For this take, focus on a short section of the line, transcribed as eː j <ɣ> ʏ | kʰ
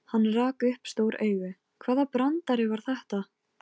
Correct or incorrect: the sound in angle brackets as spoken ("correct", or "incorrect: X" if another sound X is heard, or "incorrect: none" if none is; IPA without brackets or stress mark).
correct